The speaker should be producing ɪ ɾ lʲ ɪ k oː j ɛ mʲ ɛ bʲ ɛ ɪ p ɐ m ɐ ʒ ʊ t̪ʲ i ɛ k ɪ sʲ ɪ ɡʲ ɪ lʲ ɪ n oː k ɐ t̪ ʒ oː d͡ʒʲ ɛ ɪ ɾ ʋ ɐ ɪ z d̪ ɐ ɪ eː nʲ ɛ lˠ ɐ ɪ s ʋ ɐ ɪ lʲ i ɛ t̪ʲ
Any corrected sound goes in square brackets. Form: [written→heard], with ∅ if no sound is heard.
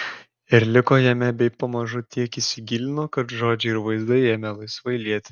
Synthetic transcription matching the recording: ɪ ɾ lʲ ɪ k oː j ɛ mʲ ɛ bʲ ɛ ɪ p ɐ m ɐ ʒ ʊ t̪ʲ i ɛ k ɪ sʲ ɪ ɡʲ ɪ lʲ ɪ n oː k ɐ t̪ ʒ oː d͡ʒʲ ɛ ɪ ɾ ʋ ɐ ɪ z d̪ ɐ ɪ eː [nʲ→mʲ] ɛ lˠ ɐ ɪ s ʋ ɐ ɪ lʲ i ɛ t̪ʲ